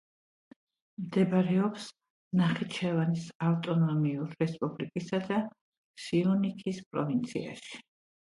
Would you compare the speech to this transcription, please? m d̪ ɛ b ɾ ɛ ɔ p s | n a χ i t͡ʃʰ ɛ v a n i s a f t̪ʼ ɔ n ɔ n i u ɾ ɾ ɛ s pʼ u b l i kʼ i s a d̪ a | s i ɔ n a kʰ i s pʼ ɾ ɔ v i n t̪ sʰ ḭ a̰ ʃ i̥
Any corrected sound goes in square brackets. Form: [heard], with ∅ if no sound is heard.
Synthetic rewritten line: m d̪ ɛ b ɾ ɛ ɔ p s | n a χ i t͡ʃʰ ɛ v a n i s a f t̪ʼ ɔ n ɔ [m] i u ɾ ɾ ɛ s pʼ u b l i kʼ i s a d̪ a | s i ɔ n [i] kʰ i s pʼ ɾ ɔ v i n t̪ sʰ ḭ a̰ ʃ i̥